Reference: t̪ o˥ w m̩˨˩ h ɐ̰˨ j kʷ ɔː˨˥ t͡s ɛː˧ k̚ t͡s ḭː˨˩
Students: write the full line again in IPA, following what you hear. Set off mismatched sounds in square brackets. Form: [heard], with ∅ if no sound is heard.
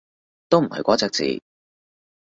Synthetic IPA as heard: t̪ o˥ w m̩˨˩ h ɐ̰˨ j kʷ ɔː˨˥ t͡s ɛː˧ k̚ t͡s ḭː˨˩